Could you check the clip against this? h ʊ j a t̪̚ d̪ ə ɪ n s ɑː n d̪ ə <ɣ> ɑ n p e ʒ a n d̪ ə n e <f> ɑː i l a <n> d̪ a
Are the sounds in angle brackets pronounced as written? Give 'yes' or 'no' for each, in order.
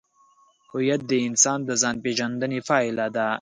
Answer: no, yes, no

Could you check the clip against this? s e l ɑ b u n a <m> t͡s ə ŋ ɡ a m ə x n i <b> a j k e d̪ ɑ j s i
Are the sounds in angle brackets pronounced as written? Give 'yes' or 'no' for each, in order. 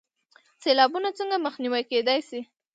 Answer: no, no

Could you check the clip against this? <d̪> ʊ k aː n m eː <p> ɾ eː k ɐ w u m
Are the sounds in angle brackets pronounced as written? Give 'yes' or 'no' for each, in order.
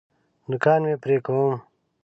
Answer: yes, yes

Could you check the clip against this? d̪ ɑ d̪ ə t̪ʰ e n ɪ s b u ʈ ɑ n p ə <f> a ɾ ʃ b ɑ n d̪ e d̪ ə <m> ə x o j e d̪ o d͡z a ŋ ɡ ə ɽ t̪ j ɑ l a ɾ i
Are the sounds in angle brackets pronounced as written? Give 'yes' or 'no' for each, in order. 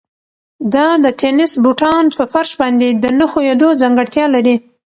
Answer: yes, no

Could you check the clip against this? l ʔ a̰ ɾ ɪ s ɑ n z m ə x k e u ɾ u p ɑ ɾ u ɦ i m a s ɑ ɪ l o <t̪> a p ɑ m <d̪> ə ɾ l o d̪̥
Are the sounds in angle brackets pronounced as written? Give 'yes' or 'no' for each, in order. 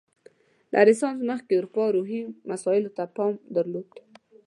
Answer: yes, yes

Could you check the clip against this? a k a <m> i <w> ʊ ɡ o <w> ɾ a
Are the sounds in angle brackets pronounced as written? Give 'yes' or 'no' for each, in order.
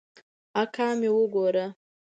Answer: yes, yes, no

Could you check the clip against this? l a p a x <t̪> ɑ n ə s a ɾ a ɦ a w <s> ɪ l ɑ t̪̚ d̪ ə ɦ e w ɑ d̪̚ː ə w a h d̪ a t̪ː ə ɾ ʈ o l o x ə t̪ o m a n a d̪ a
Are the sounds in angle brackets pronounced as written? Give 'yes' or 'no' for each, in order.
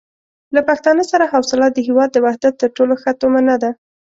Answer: yes, yes

